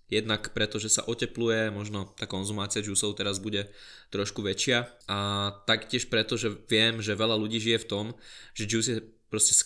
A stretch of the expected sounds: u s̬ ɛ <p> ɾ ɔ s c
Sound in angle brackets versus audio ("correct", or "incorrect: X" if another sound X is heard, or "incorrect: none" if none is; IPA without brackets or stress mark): correct